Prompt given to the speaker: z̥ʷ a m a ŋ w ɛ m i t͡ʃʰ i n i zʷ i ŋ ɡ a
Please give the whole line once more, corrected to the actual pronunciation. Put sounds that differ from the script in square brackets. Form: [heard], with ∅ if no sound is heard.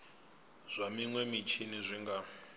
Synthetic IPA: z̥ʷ a m [i] ŋ w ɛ m i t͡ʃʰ i n i zʷ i ŋ ɡ a